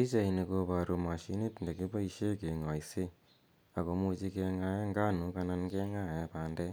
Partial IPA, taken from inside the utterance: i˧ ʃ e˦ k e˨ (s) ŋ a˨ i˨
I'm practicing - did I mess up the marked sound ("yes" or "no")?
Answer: yes